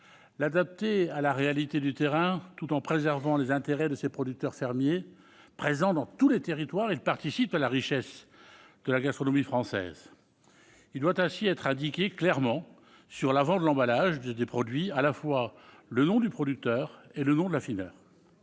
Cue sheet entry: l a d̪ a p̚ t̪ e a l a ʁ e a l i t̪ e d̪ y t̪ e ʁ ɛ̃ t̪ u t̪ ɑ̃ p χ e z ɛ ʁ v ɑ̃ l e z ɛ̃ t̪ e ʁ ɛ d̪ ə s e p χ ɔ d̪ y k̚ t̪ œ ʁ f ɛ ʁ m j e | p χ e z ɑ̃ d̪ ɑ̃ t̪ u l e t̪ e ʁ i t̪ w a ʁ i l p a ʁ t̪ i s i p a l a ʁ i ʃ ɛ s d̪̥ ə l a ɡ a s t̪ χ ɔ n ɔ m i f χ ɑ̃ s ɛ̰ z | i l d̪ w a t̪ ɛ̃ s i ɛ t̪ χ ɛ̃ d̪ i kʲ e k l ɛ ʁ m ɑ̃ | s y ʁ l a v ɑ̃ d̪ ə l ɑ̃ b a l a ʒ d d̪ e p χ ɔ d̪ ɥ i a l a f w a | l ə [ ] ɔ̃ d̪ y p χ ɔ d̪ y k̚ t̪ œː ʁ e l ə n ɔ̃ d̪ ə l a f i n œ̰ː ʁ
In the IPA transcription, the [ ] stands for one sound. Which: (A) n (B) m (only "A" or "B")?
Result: A